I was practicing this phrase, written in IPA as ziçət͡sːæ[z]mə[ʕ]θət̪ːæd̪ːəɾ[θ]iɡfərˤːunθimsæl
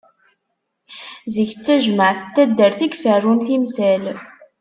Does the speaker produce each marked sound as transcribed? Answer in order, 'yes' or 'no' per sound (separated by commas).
no, yes, yes